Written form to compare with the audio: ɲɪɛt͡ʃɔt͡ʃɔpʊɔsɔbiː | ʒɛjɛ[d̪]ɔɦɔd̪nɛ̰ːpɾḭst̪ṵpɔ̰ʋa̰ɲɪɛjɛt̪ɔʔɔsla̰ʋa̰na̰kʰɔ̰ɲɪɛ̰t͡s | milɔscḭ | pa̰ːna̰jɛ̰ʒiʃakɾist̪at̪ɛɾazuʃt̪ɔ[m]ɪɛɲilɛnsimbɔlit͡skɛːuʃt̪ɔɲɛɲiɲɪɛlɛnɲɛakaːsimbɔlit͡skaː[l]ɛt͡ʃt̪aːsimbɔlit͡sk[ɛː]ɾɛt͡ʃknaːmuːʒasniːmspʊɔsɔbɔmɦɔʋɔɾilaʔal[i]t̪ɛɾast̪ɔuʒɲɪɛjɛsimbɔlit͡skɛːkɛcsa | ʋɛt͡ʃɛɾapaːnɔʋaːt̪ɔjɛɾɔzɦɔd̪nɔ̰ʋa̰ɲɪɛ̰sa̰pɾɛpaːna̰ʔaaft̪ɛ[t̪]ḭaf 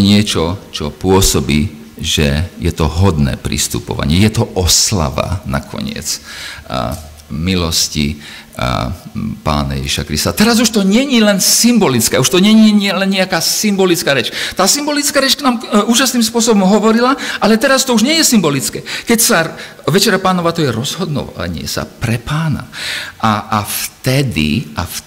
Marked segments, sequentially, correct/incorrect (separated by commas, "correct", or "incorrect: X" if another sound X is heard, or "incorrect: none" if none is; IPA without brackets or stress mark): incorrect: t̪, incorrect: ɲ, incorrect: ɾ, incorrect: aː, incorrect: ɛ, incorrect: d̪